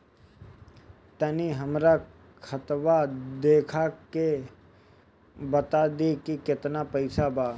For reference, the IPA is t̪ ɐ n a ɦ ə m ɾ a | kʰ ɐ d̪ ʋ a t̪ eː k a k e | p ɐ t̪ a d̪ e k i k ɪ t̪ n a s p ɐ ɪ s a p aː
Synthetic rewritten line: t̪ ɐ n i ɦ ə m ɾ a | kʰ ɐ t̪ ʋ a d̪ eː kʰ a k e | b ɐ t̪ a d̪ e k i k ɪ t̪ n a p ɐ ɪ s a b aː